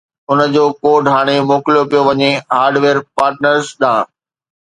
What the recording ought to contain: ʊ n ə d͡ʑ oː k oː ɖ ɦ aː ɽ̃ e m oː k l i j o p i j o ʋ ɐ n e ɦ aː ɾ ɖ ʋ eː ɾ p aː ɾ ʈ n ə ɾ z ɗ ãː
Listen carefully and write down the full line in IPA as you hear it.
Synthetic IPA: ʊ n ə d͡ʑ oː k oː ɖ ɦ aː ɽ̃ e m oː k l i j o p i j o ʋ ɐ ɲ e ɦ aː ɾ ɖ ʋ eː ɾ p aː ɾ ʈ n ə ɾ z ɗ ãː